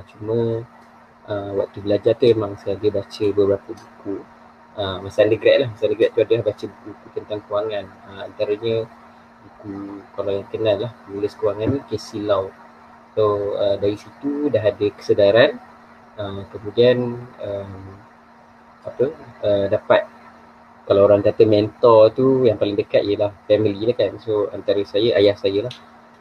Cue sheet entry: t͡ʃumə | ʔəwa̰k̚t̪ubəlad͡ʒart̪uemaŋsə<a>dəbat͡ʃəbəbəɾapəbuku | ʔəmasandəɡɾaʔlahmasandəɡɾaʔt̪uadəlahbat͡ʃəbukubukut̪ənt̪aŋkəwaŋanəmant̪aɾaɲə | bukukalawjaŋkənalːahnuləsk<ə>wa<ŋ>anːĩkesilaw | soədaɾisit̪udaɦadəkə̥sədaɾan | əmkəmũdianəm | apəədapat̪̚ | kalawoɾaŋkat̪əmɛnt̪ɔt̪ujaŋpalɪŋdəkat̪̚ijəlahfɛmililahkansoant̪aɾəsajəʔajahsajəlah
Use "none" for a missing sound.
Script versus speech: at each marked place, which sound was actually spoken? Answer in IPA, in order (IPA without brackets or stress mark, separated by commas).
a, ə, ŋ